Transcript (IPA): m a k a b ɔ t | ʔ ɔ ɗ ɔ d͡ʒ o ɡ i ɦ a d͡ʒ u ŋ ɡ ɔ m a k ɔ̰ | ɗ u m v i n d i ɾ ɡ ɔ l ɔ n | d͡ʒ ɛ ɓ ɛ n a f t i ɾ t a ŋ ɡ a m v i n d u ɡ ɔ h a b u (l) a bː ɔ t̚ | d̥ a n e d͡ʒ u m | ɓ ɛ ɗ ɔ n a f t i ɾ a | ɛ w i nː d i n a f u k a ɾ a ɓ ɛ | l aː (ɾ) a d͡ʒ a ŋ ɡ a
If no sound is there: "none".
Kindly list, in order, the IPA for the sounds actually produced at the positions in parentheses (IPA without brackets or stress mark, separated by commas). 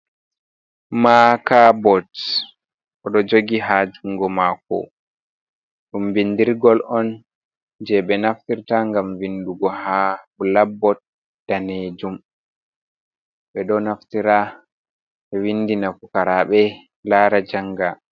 l, ɾ